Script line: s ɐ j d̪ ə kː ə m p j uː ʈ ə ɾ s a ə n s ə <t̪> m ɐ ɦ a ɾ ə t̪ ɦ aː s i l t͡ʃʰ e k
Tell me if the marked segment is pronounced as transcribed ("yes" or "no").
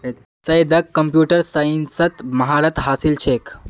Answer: yes